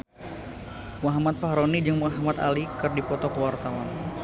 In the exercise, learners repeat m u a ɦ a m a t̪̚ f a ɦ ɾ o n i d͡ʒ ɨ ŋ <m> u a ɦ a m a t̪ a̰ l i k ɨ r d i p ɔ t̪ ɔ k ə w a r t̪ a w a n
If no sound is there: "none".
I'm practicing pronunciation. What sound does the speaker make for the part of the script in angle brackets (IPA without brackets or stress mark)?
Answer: m